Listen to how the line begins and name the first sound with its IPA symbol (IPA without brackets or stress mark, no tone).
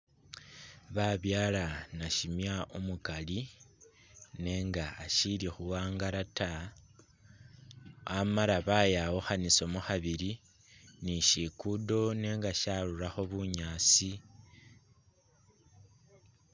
β